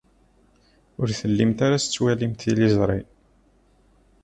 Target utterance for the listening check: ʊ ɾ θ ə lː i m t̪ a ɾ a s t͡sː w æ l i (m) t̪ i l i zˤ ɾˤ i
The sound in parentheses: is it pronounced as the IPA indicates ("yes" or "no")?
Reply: yes